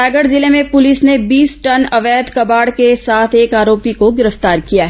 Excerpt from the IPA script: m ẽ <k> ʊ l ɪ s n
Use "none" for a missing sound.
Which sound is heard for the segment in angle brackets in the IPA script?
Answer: p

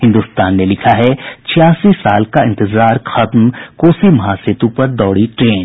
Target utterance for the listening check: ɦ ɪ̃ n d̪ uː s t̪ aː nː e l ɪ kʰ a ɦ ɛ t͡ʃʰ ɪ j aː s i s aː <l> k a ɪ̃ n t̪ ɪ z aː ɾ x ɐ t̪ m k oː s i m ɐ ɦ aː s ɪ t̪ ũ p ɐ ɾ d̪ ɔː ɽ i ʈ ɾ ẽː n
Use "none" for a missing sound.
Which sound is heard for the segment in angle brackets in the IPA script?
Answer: l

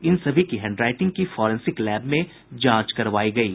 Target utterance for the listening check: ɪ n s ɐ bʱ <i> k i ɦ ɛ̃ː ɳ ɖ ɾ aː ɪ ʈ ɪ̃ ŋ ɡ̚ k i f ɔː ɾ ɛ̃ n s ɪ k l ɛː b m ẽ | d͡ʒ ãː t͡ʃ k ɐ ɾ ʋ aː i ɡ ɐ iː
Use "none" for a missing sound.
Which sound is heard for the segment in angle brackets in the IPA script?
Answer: i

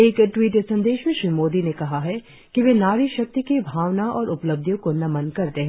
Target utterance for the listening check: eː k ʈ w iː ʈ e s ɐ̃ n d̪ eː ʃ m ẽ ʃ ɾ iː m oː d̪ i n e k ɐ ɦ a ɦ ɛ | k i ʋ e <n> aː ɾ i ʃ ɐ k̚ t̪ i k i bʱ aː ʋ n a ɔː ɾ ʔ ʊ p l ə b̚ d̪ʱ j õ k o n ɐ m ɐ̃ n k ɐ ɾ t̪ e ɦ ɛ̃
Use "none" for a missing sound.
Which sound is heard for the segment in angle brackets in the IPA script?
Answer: n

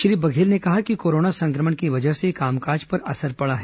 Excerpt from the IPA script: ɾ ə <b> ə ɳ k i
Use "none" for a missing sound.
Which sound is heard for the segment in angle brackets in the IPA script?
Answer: m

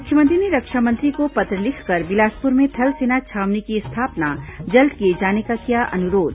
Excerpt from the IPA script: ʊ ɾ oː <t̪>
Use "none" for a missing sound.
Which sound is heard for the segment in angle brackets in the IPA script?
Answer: d̪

